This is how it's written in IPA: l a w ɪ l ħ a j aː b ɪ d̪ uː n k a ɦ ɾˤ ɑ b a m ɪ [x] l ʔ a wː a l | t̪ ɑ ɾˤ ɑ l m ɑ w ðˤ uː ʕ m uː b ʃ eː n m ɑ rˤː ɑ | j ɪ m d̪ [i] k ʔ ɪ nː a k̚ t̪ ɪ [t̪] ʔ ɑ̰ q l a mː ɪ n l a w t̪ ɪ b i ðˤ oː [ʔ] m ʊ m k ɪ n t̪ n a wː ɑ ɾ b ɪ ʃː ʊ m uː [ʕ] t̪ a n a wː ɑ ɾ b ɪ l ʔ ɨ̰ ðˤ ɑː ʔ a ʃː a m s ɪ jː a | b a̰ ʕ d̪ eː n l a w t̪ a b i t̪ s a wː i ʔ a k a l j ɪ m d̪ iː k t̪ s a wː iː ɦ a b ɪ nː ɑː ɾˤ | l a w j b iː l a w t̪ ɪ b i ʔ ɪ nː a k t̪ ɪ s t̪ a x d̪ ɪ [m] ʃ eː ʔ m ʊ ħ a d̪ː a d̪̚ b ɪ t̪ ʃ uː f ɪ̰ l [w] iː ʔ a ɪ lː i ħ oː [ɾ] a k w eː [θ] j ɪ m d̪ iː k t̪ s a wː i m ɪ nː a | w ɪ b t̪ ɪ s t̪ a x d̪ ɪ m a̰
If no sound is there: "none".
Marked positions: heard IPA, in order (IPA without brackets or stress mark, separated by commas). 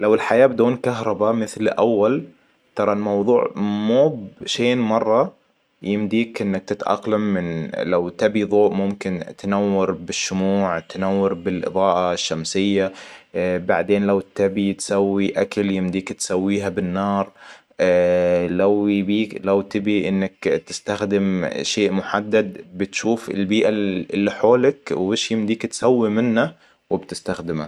θ, iː, t̪, ʔ, ʕ, m, b, l, ʃ